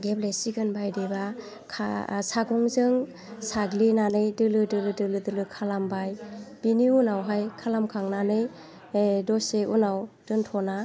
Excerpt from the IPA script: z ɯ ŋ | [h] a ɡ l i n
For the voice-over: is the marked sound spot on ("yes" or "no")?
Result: no